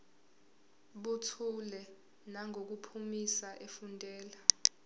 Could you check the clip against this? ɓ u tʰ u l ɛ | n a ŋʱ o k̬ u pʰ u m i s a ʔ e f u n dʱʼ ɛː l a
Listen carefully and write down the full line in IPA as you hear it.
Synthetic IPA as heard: ɓ u tʰ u l ɛ | n a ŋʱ o k̬ u pʰ u m i s a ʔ e f u n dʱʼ ɛː l a